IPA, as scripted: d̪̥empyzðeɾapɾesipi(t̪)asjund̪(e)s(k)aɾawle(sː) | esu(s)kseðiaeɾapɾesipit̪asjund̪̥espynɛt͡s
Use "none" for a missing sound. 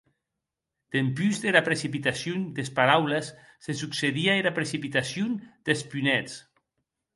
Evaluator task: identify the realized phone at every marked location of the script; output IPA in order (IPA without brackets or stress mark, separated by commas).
t̪, e, p, sː, none